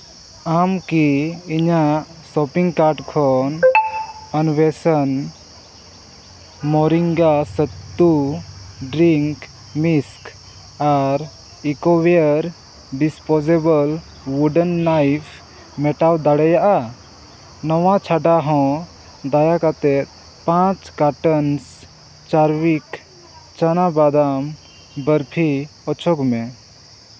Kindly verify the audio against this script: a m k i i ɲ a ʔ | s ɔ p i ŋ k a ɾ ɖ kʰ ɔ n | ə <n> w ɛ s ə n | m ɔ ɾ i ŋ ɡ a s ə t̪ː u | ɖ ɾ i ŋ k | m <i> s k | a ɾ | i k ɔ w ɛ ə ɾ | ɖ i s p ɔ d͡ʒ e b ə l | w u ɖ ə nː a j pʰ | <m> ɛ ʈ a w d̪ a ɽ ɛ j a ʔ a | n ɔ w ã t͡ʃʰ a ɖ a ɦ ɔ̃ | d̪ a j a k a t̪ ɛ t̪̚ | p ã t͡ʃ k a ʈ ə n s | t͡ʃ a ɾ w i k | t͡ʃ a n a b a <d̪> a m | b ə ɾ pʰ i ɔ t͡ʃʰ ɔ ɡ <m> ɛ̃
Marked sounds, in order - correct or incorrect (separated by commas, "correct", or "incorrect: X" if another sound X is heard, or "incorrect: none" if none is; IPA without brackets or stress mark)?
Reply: correct, correct, correct, correct, correct